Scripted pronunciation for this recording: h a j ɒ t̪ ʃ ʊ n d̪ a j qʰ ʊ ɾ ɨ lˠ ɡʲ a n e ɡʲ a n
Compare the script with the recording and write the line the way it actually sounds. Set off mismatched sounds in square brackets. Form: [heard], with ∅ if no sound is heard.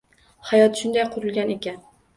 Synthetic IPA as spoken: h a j ɒ t̪ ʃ ʊ n d̪ a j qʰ ʊ ɾ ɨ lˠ ɡʲ a n e [kʲ] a n